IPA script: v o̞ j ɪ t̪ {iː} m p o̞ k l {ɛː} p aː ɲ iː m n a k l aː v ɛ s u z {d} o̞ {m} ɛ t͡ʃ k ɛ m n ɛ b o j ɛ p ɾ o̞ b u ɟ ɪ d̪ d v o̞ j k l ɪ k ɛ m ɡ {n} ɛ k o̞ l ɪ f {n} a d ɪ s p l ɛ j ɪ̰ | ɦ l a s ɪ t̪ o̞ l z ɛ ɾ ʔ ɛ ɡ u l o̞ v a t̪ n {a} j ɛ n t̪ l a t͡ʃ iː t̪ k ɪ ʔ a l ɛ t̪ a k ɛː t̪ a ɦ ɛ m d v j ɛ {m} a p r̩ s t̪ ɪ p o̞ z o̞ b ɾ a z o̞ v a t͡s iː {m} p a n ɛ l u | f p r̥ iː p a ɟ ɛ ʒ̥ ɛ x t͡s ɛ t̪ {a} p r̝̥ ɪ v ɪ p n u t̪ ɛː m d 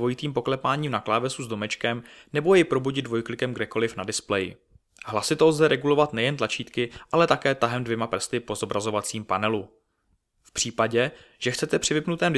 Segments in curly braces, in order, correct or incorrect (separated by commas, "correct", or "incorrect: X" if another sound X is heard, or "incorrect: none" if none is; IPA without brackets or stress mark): correct, incorrect: ɛ, correct, correct, incorrect: d, correct, incorrect: ɛ, correct, correct, incorrect: ɛ